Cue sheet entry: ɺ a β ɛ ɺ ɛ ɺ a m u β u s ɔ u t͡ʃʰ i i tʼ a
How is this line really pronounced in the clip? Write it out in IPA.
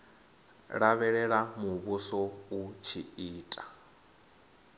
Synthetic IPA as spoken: ɺ a β ɛ ɺ ɛ ɺ a m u β u s ɔ u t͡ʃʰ i iː tʼ a